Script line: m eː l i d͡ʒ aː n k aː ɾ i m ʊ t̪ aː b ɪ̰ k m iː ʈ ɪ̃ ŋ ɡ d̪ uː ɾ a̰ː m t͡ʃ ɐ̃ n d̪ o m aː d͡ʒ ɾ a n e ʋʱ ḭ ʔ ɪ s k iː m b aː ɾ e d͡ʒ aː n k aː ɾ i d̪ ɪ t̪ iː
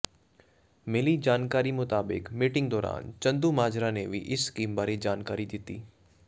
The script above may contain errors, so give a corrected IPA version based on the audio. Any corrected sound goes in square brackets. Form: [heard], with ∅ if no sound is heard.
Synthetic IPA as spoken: m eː l i d͡ʒ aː n k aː ɾ i m ʊ t̪ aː b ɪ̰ k m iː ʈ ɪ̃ ŋ ɡ d̪ [ɔː] ɾ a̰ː [n] t͡ʃ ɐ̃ n d̪ [u] m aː d͡ʒ ɾ a n e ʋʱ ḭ ʔ ɪ s k iː m b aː ɾ e d͡ʒ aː n k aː ɾ i d̪ ɪ t̪ iː